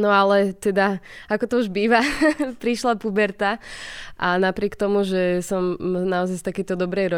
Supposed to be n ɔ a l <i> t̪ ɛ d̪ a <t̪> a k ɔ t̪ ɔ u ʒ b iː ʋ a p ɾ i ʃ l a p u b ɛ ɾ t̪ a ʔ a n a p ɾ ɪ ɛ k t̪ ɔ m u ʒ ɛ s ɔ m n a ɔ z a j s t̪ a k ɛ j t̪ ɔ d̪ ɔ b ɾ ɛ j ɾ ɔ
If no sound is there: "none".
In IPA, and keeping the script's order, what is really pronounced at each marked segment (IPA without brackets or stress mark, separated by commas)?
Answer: ɛ, none